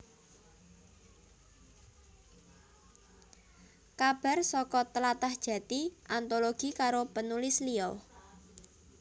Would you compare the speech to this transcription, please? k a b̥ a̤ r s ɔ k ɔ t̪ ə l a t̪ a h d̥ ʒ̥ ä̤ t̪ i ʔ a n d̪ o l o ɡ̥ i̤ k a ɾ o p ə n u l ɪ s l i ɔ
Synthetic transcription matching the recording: k a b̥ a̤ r s ɔ k ɔ t̪ ə l a t̪ a h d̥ ʒ̥ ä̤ t̪ i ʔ a n t̪ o l o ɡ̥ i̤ k a ɾ o p ə n u l ɪ s l i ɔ